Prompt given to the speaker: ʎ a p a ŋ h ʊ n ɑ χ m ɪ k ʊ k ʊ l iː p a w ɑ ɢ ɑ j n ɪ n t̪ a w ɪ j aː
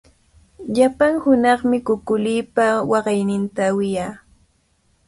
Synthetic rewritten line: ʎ a p a ŋ h ʊ n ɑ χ m ɪ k ʊ k ʊ l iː p a w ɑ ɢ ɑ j n ɪ n t̪ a w ɪ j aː